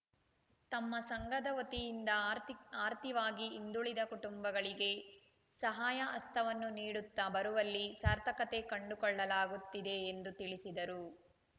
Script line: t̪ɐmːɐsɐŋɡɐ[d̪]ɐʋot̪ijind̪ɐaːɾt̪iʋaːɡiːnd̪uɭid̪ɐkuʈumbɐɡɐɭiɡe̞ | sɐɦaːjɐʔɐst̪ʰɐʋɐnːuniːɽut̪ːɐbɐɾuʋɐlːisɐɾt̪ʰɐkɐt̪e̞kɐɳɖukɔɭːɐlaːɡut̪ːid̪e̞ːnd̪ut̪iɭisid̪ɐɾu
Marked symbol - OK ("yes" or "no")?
yes